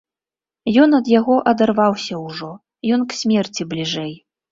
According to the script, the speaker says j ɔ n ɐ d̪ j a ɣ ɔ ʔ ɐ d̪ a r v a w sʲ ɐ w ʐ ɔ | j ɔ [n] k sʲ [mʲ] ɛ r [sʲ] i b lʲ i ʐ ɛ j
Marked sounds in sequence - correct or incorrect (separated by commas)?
correct, correct, incorrect